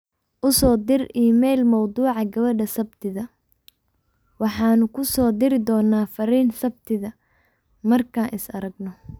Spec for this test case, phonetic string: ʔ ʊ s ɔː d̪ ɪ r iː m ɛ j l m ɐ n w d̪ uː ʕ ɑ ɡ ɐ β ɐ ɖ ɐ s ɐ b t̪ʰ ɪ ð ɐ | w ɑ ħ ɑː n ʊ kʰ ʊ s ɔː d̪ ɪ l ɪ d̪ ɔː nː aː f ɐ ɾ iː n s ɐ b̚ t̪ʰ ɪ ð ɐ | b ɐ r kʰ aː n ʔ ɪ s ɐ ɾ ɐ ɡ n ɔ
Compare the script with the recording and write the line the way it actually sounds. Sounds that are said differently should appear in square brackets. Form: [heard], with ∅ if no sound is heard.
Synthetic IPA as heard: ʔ ʊ s ɔː d̪ ɪ r iː m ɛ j l m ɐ [∅] w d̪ uː ʕ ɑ ɡ ɐ β ɐ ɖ ɐ s ɐ b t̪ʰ ɪ ð ɐ | w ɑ ħ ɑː n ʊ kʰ ʊ s ɔː d̪ ɪ [ɾ] ɪ d̪ ɔː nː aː f ɐ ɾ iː n s ɐ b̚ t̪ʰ ɪ ð ɐ | [m] ɐ r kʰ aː n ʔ ɪ s ɐ ɾ ɐ ɡ n ɔ